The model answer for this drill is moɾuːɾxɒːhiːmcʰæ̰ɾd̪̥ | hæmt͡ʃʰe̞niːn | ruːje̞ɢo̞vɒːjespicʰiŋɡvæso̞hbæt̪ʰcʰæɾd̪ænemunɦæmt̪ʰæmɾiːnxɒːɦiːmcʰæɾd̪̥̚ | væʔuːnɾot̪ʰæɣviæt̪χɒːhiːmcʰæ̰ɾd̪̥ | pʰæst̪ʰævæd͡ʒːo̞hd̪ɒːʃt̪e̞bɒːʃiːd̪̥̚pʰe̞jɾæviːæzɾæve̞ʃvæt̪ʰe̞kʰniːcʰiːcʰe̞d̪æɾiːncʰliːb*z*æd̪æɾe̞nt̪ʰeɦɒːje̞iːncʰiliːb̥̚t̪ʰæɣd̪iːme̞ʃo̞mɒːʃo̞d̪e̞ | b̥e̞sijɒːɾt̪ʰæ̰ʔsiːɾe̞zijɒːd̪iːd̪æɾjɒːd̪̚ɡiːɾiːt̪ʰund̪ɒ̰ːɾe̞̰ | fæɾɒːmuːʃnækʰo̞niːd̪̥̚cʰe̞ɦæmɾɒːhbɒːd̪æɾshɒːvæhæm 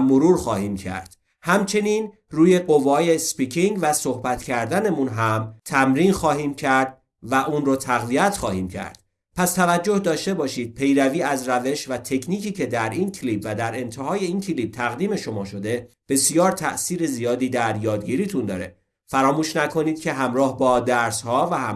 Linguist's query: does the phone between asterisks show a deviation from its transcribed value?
yes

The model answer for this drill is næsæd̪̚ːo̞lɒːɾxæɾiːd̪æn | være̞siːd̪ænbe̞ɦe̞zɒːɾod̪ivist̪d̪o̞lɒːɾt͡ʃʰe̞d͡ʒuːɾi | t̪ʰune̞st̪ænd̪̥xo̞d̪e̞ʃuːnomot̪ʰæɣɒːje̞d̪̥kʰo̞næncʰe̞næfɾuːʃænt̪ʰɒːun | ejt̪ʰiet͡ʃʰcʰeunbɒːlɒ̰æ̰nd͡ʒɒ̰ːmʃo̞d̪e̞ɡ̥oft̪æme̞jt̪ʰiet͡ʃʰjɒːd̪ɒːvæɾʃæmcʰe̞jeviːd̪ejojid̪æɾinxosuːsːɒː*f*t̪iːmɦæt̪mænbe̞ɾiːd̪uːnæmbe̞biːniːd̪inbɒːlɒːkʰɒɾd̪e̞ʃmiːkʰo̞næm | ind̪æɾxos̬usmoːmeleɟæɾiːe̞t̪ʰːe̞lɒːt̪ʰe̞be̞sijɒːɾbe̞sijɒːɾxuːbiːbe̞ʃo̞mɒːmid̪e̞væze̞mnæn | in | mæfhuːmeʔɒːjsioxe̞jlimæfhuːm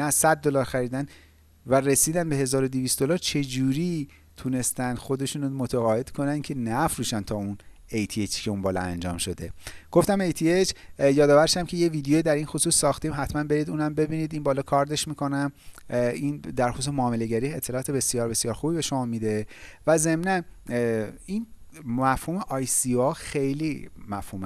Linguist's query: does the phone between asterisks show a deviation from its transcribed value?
yes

